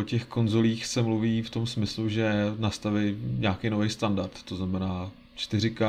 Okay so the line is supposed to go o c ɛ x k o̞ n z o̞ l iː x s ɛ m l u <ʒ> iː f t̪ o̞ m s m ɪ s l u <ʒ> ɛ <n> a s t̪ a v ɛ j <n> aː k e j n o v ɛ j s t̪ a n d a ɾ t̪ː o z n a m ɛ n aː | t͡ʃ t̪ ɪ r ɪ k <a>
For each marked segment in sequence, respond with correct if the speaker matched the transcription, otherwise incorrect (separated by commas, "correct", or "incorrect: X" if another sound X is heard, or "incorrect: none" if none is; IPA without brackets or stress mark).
incorrect: v, correct, correct, incorrect: ɲ, correct